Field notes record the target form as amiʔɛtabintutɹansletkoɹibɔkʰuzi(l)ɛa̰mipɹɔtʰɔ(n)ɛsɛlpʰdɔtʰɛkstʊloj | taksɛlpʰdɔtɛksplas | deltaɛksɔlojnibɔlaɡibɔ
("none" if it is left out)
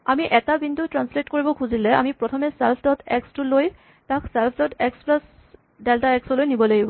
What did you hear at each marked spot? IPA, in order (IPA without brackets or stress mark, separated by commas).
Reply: l, m